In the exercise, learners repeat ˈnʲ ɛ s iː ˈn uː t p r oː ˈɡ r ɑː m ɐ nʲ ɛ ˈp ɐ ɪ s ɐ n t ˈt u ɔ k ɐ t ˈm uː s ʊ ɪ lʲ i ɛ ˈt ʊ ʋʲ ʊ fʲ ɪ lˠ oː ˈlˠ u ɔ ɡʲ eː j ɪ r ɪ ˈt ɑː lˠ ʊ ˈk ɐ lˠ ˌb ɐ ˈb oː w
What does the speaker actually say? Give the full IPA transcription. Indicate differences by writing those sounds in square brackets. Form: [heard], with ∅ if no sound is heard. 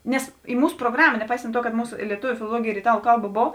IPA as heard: ˈnʲ ɛ s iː [ˈm] uː [s] p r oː ˈɡ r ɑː m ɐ nʲ ɛ ˈp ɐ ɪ s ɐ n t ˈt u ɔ k ɐ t ˈm uː s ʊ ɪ lʲ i ɛ ˈt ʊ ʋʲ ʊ fʲ ɪ lˠ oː ˈlˠ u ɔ ɡʲ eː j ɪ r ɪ ˈt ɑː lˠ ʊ ˈk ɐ lˠ ˌb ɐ ˈb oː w